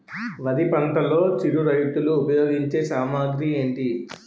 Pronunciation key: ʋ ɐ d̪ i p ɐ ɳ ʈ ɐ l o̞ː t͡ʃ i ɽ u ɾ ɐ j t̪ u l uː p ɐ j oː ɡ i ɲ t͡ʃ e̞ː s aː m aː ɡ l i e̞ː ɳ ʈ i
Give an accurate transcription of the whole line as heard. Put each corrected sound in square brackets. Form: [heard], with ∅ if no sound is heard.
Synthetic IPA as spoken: ʋ ɐ d̪ i p ɐ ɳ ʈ ɐ l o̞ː t͡ʃ i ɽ u ɾ ɐ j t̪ u l uː p ɐ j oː ɡ i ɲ t͡ʃ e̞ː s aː m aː ɡ [ɾ] i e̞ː ɳ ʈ i